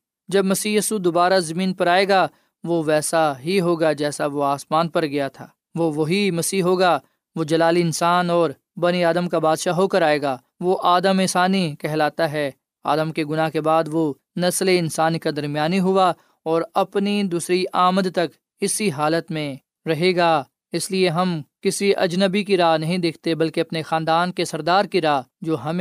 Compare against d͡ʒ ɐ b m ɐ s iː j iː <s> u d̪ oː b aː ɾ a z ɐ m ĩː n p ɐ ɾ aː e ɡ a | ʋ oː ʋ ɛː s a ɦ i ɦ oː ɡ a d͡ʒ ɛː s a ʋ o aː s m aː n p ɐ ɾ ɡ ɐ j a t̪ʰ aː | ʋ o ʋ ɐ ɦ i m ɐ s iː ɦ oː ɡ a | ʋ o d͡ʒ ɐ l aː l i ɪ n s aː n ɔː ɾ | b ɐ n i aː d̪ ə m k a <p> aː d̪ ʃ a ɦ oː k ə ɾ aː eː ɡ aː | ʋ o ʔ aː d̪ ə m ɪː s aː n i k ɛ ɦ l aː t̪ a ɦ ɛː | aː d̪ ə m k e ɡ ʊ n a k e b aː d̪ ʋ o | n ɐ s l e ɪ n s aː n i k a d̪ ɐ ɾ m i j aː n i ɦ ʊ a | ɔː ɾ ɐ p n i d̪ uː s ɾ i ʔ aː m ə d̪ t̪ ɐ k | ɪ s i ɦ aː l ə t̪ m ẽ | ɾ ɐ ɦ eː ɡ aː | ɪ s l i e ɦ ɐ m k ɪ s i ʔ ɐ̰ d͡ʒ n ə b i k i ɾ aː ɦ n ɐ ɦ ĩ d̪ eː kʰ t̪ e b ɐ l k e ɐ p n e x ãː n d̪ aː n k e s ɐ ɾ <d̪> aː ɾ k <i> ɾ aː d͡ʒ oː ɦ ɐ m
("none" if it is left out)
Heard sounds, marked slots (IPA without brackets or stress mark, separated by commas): s, b, d̪, i